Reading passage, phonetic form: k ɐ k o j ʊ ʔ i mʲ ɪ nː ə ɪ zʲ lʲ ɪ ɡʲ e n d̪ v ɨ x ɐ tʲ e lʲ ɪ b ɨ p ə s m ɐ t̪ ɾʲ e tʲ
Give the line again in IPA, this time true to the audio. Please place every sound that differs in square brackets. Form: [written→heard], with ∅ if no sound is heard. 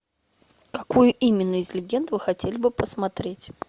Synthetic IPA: k ɐ k [o→u] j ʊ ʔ i mʲ ɪ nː ə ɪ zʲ lʲ ɪ ɡʲ e n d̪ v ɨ x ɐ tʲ e lʲ ɪ b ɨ p ə s m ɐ t̪ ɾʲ e tʲ